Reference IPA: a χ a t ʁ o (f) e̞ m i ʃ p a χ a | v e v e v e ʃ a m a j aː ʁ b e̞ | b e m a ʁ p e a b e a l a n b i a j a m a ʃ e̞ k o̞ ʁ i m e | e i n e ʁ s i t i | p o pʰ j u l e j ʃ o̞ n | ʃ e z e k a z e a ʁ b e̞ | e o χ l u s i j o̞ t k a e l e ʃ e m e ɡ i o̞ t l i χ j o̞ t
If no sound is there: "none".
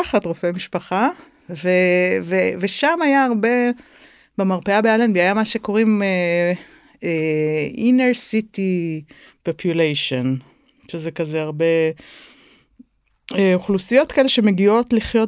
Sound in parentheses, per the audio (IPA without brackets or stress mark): f